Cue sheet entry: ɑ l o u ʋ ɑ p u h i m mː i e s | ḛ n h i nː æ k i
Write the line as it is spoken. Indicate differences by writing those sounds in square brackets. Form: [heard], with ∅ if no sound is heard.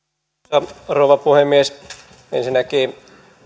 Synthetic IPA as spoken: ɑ [r] o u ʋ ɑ p u h [e] m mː i e s | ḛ n [s] i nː æ k [iː]